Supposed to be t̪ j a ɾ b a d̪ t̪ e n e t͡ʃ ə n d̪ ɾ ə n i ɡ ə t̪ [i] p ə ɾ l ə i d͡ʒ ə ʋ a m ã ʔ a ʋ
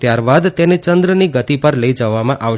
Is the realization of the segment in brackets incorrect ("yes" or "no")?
no